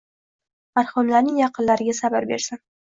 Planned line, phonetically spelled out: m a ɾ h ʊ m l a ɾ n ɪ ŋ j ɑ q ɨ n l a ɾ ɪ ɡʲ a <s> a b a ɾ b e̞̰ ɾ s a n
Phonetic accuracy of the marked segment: correct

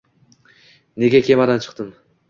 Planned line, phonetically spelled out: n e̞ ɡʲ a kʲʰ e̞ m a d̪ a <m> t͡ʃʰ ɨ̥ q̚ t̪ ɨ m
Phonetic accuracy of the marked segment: incorrect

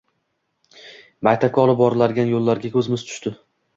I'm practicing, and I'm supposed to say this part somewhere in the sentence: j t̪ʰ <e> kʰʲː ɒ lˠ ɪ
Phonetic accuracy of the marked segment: incorrect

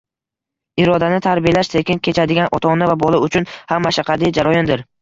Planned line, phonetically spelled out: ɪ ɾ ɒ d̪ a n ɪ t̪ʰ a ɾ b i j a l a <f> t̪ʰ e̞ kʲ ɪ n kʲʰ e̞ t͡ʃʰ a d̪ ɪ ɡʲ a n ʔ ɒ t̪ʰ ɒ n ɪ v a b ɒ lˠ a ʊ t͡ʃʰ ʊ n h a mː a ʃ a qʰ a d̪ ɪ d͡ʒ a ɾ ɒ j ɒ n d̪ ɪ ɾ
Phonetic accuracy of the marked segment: incorrect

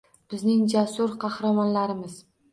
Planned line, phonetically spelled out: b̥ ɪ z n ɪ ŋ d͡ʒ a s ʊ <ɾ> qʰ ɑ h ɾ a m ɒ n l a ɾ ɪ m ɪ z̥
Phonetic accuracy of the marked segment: correct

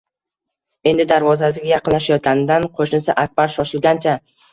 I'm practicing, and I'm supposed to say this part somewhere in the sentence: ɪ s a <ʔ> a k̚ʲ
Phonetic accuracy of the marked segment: correct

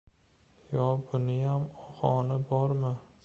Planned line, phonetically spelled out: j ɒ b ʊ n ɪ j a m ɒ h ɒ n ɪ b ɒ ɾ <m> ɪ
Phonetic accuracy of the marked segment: correct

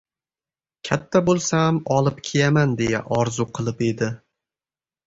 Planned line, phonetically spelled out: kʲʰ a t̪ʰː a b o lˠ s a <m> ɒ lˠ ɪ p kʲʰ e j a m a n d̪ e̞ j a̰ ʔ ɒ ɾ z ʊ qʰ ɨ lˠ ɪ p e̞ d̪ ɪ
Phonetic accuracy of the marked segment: correct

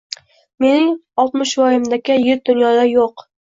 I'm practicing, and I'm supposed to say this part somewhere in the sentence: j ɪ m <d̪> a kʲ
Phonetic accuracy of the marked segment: correct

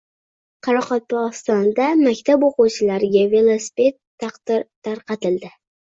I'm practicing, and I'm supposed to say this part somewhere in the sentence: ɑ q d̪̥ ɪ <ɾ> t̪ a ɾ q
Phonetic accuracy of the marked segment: correct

